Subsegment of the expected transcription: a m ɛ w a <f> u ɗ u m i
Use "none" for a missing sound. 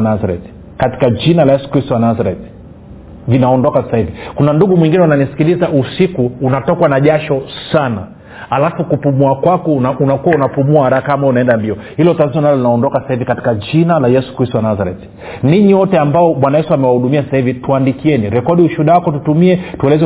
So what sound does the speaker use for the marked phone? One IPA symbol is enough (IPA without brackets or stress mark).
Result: h